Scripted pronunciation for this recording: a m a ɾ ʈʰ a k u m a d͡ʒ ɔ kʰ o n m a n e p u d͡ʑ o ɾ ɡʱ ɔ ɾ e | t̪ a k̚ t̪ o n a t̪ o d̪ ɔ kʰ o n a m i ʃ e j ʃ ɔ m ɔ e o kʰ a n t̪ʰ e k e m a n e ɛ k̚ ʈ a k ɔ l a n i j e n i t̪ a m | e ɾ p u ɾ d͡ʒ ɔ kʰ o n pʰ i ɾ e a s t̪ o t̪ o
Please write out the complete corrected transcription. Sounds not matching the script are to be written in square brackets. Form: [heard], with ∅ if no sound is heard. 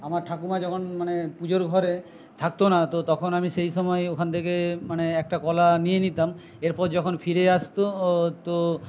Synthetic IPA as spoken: a m a ɾ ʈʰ a k u m a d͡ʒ ɔ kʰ o n m a n e p u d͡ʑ o ɾ ɡʱ ɔ ɾ e | [t̪ʰ] a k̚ t̪ o n a t̪ o [t̪] ɔ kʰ o n a m i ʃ e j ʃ ɔ m ɔ e o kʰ a n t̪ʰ e k e m a n e ɛ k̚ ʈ a k ɔ l a n i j e n i t̪ a m | e ɾ p [ɔ] ɾ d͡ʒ ɔ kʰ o n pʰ i ɾ e a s t̪ o t̪ o

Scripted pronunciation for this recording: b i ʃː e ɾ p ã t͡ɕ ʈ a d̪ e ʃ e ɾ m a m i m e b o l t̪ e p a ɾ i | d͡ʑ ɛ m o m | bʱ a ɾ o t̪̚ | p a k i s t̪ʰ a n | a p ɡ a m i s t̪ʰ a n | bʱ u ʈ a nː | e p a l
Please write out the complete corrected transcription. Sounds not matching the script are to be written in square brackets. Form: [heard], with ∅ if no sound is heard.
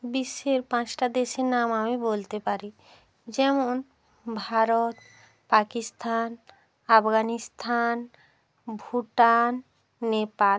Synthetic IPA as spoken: b i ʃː e ɾ p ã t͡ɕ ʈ a d̪ e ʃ e ɾ [n] a m [a] m [i] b o l t̪ e p a ɾ i | d͡ʑ ɛ m o [n] | bʱ a ɾ o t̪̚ | p a k i s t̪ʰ a n | a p ɡ a [n] i s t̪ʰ a n | bʱ u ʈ a nː | e p a l

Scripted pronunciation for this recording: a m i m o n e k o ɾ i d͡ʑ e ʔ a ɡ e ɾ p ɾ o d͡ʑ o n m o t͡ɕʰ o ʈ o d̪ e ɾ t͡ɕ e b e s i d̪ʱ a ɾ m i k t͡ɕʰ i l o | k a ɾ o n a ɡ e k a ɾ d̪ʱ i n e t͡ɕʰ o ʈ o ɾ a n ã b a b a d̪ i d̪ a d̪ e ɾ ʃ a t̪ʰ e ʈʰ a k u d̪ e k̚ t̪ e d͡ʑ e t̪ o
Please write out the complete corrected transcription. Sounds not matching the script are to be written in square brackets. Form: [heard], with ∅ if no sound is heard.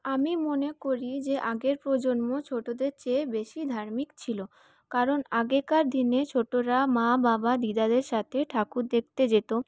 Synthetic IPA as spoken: a m i m o n e k o ɾ i d͡ʑ e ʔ a ɡ e ɾ p ɾ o d͡ʑ o n m o t͡ɕʰ o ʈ o d̪ e ɾ t͡ɕ e b e [ʃ] i d̪ʱ a ɾ m i k t͡ɕʰ i l o | k a ɾ o n a ɡ e k a ɾ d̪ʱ i n e t͡ɕʰ o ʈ o ɾ a [m] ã b a b a d̪ i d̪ a d̪ e ɾ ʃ a t̪ʰ e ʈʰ a k u d̪ e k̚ t̪ e d͡ʑ e t̪ o

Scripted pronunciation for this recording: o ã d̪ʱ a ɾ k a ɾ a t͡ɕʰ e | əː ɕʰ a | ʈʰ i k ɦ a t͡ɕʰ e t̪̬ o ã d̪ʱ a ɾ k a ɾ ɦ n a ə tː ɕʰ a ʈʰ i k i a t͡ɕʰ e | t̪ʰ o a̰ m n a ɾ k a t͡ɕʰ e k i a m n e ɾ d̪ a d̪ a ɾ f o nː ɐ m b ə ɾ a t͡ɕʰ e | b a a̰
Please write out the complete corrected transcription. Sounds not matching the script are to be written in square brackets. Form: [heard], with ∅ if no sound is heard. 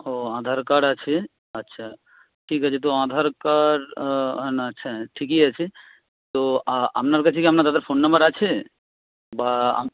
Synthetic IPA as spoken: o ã d̪ʱ a ɾ k a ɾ a t͡ɕʰ e | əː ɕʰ a | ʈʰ i k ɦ a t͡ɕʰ e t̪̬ o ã d̪ʱ a ɾ k a ɾ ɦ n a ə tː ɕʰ a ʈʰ i k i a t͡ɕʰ e | [t̪] o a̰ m n a ɾ k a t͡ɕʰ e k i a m n [a] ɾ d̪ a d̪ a ɾ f o nː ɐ m b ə ɾ a t͡ɕʰ e | b a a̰

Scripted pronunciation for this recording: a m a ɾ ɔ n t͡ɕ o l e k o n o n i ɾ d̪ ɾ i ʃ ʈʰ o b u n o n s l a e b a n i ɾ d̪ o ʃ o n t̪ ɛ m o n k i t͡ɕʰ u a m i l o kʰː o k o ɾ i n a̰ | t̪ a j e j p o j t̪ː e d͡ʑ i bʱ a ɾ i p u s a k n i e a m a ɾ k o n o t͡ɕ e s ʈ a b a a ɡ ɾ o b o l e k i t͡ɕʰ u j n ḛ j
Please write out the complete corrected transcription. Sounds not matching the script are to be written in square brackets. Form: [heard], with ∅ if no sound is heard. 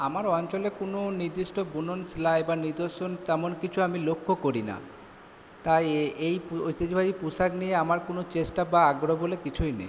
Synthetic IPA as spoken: a m a ɾ ɔ n t͡ɕ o l e k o n o n i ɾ d̪ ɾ i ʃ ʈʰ o b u n o n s l a e b a n i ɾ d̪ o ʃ o n t̪ ɛ m o n k i t͡ɕʰ u a m i l o kʰː o k o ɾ i n a̰ | t̪ a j e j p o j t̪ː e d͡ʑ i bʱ a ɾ i p u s a k n i e a m a ɾ k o n o t͡ɕ e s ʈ a b a a ɡ ɾ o b o l e k i t͡ɕʰ u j n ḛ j

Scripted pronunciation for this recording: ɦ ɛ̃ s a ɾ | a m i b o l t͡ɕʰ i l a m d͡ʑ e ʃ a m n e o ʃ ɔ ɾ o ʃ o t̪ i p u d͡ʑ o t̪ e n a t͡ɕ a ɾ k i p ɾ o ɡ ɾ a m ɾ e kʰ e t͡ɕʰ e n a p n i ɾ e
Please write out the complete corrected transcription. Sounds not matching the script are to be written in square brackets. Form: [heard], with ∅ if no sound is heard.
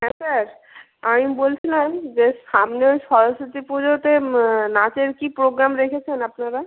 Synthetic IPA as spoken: ɦ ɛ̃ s a ɾ | a m i b o l t͡ɕʰ i l a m d͡ʑ e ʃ a m n e o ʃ ɔ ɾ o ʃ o t̪ i p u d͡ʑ o t̪ e n a t͡ɕ [e] ɾ k i p ɾ o ɡ ɾ a m ɾ e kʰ e t͡ɕʰ e n a p n [a] ɾ [a]

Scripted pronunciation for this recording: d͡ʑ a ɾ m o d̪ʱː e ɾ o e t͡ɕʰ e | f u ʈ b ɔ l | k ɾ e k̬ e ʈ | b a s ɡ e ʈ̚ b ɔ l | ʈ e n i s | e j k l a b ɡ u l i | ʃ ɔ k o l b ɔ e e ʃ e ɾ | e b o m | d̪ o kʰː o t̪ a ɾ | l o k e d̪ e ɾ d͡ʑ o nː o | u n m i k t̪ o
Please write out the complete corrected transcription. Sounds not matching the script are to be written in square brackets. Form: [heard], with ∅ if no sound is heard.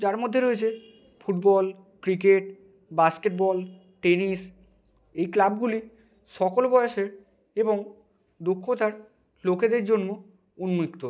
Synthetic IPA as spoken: d͡ʑ a ɾ m o d̪ʱː e ɾ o e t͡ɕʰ e | f u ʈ b ɔ l | k ɾ [i] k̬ e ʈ | b a s [k] e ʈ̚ b ɔ l | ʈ e n i s | e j k l a b ɡ u l i | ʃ ɔ k o l b ɔ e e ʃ e ɾ | e b o [ŋ] | d̪ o kʰː o t̪ a ɾ | l o k e d̪ e ɾ d͡ʑ o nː o | u n m i k t̪ o

